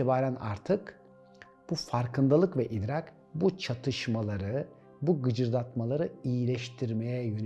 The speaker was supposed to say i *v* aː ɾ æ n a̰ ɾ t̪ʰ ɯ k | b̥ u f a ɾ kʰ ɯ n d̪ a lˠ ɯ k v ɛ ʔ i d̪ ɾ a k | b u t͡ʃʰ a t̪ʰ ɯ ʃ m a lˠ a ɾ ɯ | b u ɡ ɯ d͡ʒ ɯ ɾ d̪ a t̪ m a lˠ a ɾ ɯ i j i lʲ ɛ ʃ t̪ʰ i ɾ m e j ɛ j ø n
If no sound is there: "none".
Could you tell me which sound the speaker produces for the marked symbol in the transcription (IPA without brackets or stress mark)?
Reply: b